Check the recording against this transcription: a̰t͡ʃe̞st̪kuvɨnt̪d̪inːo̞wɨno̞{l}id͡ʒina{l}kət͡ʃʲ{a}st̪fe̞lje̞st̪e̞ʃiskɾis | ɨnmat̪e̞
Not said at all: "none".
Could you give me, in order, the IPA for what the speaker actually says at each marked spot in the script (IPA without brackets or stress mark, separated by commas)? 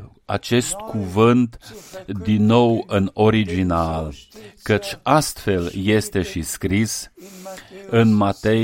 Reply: ɾ, l, a